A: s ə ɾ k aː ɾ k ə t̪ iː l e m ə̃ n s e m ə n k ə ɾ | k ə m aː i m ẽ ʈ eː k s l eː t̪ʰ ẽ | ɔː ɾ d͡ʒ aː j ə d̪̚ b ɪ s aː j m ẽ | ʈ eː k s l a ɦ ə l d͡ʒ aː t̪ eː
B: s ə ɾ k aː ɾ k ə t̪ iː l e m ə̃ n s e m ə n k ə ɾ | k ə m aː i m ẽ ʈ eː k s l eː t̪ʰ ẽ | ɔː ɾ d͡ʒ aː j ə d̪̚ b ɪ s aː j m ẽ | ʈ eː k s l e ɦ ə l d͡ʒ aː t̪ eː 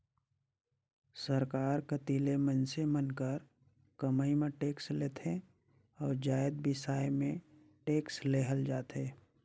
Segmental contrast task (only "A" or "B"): B